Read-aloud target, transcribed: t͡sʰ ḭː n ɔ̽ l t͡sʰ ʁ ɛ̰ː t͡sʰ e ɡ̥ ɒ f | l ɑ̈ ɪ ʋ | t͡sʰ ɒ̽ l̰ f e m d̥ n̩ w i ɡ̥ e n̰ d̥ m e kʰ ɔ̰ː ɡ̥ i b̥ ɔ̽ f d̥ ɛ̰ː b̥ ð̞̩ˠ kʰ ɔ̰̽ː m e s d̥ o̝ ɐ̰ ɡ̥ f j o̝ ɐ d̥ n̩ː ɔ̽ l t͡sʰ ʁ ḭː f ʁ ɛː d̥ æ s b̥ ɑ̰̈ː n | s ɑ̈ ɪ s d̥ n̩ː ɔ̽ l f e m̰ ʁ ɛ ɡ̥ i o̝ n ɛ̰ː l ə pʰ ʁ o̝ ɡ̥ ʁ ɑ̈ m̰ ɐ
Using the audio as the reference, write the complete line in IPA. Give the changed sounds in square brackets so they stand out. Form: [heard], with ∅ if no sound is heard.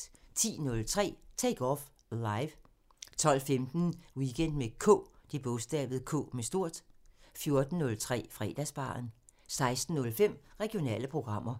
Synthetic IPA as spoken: t͡sʰ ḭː n ɔ̽ l t͡sʰ ʁ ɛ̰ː t͡sʰ e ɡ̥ ɒ f | l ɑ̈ ɪ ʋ | t͡sʰ ɒ̽ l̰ f e m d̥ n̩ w i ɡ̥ e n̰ d̥ m e kʰ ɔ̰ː [d̥] i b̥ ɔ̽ [s] d̥ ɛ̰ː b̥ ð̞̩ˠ kʰ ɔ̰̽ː m e s d̥ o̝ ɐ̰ [d̥] f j o̝ ɐ d̥ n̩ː ɔ̽ l t͡sʰ ʁ [ɛ̰ː] f ʁ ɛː d̥ æ s b̥ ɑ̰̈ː n | s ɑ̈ ɪ s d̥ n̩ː ɔ̽ l f e m̰ ʁ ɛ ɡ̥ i o̝ n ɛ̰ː l ə pʰ ʁ o̝ ɡ̥ ʁ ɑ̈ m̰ ɐ